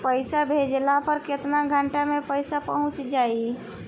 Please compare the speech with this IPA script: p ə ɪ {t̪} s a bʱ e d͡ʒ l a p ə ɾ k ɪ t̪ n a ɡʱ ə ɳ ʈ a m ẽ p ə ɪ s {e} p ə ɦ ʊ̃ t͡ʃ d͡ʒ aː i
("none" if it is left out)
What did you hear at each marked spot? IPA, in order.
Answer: none, a

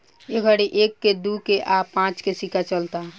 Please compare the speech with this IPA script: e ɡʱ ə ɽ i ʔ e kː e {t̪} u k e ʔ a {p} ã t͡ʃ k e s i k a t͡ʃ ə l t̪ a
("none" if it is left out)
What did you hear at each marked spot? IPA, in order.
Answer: d̪, p

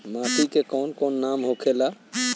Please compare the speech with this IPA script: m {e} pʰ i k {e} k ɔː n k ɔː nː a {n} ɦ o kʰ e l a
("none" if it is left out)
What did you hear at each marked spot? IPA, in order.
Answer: a, e, m

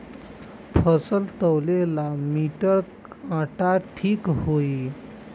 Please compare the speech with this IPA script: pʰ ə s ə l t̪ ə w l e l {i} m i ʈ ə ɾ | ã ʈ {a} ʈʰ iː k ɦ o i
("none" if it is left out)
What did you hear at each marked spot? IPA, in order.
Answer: a, a

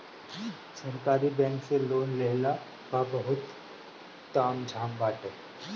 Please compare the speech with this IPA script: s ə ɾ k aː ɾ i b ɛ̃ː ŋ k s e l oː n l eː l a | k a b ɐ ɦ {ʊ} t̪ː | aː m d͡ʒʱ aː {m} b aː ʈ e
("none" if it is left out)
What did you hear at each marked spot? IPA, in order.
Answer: ʊ, m

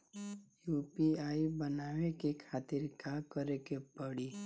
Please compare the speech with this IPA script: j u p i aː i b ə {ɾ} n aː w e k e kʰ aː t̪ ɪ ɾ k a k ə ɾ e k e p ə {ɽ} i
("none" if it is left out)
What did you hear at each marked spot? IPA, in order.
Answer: none, ɽ

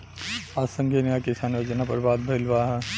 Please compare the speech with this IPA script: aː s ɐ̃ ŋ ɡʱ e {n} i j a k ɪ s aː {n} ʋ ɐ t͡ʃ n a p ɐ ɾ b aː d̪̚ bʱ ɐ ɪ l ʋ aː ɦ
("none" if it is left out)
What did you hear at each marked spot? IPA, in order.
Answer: n, n

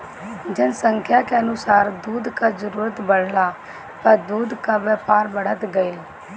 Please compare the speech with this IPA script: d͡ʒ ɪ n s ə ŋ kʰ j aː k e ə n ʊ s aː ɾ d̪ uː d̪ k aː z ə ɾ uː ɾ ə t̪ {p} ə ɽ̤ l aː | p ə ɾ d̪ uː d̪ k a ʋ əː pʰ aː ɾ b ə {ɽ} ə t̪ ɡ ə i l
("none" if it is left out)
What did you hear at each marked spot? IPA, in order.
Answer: b, ɽ

